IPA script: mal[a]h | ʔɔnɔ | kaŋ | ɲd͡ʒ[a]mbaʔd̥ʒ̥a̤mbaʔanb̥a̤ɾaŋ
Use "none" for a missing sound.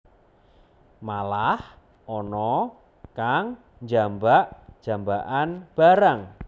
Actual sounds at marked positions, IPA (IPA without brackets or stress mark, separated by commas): a, a